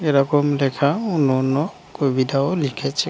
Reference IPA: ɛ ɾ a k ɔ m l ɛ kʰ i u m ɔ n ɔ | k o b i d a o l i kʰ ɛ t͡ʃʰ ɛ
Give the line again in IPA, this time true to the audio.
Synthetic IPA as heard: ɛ ɾ a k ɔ m l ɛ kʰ a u n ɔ n ɔ | k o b i d a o l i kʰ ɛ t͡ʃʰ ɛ